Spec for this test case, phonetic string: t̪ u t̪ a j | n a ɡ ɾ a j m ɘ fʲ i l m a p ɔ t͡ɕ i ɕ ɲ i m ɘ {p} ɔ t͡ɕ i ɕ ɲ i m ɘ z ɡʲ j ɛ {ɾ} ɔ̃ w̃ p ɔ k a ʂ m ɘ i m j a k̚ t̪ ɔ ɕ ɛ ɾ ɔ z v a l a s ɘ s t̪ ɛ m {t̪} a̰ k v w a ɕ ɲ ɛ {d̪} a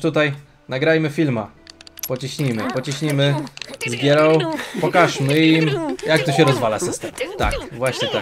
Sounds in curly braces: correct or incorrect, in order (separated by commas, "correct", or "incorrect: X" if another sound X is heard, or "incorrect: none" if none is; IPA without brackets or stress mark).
correct, correct, correct, incorrect: t̪